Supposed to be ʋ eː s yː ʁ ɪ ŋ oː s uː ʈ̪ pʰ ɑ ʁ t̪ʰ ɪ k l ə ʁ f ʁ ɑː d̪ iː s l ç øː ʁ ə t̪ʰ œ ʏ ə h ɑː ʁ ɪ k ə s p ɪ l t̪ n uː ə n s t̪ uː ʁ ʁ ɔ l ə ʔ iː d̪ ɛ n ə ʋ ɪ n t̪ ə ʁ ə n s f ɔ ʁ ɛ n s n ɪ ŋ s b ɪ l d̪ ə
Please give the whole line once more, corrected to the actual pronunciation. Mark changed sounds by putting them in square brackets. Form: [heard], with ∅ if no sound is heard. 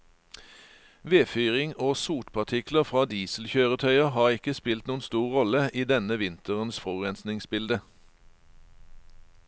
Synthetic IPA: ʋ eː [f] yː ʁ ɪ ŋ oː s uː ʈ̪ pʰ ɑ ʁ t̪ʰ ɪ k l ə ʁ f ʁ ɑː d̪ iː s l ç øː ʁ ə t̪ʰ œ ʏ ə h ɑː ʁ ɪ k ə s p ɪ l t̪ n uː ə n s t̪ uː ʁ ʁ ɔ l ə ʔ iː d̪ ɛ n ə ʋ ɪ n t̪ ə ʁ ə n s f ɔ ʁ ɛ n s n ɪ ŋ s b ɪ l d̪ ə